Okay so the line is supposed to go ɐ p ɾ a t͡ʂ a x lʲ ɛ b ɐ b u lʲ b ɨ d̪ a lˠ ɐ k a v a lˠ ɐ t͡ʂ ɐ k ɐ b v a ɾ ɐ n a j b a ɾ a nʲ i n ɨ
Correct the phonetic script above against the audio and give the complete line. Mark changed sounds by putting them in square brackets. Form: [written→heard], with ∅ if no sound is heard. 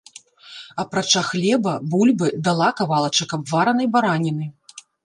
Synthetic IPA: ɐ p ɾ a t͡ʂ a x lʲ ɛ b ɐ b u lʲ b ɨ d̪ a lˠ [ɐ→a] k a v a lˠ ɐ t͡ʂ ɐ k ɐ b v a ɾ ɐ n [a→ɐ] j b a ɾ a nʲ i n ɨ